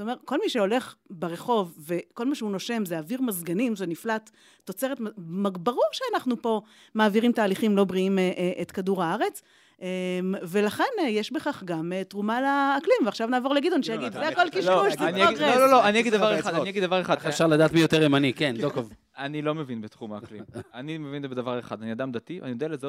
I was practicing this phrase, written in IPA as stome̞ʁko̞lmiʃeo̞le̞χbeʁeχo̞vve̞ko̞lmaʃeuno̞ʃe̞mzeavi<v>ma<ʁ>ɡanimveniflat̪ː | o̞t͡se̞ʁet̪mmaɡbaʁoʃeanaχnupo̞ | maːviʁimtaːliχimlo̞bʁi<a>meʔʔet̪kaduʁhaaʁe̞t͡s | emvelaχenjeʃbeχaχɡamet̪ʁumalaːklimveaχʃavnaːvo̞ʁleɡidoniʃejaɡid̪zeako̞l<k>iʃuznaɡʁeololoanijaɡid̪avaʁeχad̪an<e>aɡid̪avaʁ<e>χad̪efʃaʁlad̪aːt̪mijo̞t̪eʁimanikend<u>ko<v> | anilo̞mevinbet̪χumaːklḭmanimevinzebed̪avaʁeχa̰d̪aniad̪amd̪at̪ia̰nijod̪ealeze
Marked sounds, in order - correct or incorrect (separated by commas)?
incorrect, incorrect, incorrect, correct, incorrect, correct, incorrect, correct